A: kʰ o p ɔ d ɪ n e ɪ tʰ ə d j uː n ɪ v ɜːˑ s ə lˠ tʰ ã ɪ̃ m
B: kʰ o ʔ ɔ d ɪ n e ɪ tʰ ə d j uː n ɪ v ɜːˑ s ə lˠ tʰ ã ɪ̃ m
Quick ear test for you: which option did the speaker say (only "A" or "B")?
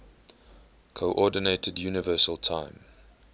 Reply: B